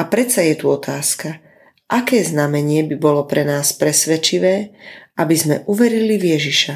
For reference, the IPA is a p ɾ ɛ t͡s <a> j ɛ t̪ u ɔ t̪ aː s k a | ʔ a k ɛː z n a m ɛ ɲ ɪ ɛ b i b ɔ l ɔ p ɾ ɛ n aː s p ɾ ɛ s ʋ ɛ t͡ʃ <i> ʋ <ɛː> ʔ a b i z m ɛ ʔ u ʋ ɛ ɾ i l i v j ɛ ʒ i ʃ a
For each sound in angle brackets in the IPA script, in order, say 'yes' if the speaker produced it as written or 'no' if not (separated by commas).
yes, yes, yes